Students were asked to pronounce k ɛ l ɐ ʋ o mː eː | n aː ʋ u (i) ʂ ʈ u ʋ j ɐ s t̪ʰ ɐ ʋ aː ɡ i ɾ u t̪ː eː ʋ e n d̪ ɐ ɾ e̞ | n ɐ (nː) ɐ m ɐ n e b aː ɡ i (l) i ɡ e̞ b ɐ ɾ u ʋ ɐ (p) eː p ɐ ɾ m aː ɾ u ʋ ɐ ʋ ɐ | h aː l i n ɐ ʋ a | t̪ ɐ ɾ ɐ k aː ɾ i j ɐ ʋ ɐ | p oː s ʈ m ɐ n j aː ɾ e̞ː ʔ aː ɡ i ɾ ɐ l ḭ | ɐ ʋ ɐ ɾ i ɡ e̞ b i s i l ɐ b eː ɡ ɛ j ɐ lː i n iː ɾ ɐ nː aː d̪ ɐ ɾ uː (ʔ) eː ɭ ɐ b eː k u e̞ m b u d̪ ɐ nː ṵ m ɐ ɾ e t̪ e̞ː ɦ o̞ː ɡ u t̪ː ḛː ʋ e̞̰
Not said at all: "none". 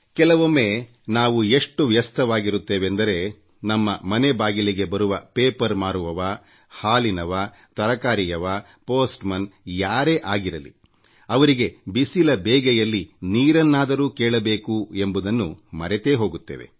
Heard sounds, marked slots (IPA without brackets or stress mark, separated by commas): e, mː, l, p, k